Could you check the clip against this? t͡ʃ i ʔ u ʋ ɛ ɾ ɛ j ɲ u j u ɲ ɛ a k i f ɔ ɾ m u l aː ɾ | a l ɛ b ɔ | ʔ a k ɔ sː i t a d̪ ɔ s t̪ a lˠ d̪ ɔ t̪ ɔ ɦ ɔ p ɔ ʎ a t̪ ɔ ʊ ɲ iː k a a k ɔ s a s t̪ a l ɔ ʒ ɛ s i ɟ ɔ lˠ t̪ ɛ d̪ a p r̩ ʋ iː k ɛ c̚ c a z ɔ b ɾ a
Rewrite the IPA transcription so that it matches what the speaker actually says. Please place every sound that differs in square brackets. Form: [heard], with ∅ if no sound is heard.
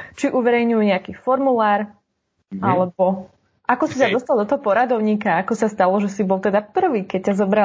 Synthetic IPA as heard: t͡ʃ i ʔ u ʋ ɛ ɾ ɛ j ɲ u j u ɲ ɛ a k i f ɔ ɾ m u l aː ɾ | a l ɛ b ɔ | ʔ a k ɔ [s] i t a d̪ ɔ s t̪ a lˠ d̪ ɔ t̪ ɔ ɦ ɔ p ɔ [ɾ] a [d̪] ɔ ʊ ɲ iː k a a k ɔ s a s t̪ a l ɔ ʒ ɛ s i [b] ɔ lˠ t̪ ɛ d̪ a p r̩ ʋ iː k ɛ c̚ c a z ɔ b ɾ a